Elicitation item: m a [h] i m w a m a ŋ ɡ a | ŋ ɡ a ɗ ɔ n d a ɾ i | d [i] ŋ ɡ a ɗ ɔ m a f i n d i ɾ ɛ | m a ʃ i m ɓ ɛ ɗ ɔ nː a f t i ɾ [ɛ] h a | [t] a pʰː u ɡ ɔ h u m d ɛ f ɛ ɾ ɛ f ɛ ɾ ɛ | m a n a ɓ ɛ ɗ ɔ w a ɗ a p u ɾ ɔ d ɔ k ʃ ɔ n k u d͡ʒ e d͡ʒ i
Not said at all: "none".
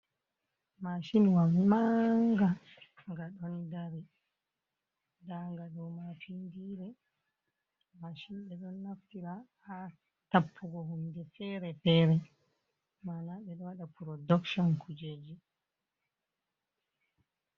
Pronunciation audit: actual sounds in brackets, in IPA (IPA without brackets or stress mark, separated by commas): ʃ, a, a, t